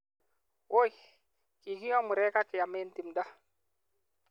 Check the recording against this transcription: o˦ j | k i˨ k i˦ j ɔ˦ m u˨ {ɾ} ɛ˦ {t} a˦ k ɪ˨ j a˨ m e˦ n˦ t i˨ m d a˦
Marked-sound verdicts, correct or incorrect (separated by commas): correct, incorrect